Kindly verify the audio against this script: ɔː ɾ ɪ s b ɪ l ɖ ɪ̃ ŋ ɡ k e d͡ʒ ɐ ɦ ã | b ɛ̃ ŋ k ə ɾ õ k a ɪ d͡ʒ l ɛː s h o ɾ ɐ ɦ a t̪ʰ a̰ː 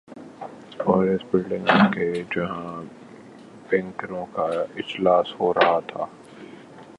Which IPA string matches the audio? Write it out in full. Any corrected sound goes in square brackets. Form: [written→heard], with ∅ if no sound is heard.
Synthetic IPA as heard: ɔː ɾ ɪ s b ɪ l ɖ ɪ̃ ŋ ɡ k e d͡ʒ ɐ ɦ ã | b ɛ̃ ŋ k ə ɾ õ k a ɪ d͡ʒ l [ɛː→aː] s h o ɾ ɐ ɦ a t̪ʰ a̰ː